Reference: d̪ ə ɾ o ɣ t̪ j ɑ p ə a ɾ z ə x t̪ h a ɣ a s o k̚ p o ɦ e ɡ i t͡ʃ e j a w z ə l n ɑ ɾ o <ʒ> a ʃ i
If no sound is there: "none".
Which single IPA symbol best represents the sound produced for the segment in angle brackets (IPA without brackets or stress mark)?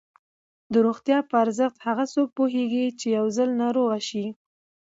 ɣ